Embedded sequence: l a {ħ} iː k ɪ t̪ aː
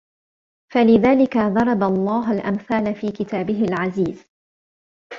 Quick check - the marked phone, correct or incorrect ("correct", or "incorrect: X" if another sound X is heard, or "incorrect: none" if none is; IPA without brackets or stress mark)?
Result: incorrect: f